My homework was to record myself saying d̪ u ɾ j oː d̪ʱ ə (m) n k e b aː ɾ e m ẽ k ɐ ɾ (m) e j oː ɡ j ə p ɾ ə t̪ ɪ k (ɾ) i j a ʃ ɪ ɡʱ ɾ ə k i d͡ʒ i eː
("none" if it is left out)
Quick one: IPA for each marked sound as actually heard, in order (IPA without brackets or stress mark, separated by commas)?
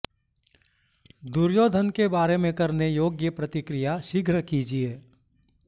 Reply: none, n, ɾ